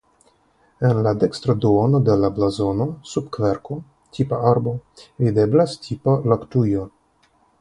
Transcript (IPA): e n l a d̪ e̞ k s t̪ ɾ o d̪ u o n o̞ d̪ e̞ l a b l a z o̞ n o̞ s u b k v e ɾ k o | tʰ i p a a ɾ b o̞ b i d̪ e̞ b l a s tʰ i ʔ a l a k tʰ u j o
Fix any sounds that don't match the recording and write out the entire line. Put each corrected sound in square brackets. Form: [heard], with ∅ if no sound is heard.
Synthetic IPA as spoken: e n l a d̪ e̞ k s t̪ ɾ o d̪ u o n o̞ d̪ e̞ l a b l a z o̞ n o̞ s u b k v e ɾ k o | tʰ i p a a ɾ b o̞ [v] i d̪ e̞ b l a s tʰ i [p] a l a k [t] u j o